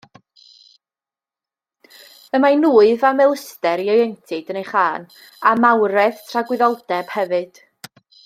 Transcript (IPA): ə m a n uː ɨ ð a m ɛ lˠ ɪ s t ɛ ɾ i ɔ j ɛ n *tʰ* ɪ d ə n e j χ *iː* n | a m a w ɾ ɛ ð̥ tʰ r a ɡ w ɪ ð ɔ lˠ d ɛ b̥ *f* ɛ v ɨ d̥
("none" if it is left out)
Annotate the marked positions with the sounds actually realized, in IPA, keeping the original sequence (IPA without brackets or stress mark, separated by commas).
tʰ, aː, h